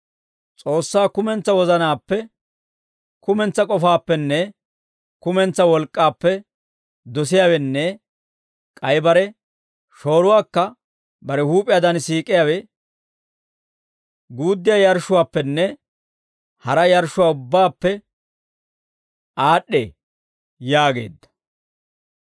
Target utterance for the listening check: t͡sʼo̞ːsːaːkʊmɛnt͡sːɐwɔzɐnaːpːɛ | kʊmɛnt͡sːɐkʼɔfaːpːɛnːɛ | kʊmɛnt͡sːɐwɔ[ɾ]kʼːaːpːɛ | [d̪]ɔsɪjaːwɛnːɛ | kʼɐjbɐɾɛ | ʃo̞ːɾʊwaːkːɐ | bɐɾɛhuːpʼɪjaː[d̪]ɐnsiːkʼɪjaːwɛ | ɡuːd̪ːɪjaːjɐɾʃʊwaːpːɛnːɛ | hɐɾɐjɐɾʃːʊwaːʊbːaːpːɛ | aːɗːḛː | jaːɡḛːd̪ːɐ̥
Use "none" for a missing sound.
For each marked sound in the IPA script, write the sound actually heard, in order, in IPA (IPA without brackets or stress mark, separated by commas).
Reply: l, d̪, d̪